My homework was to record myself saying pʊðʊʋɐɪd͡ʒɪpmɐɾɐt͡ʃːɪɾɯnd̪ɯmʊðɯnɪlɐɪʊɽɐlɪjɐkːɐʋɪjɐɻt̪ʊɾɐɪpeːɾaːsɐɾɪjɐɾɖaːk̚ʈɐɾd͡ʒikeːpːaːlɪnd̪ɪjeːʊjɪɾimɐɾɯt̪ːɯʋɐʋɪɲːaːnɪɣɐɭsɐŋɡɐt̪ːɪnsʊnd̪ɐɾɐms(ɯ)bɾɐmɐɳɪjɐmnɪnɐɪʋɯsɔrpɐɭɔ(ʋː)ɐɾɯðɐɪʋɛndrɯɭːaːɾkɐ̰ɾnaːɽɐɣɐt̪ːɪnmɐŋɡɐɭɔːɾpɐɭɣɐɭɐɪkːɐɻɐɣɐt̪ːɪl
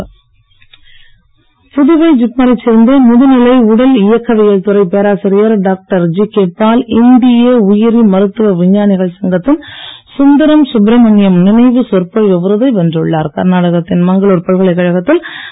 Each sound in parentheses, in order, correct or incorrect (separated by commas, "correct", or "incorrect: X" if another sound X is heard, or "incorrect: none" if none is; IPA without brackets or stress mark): incorrect: ʊ, incorrect: ʋ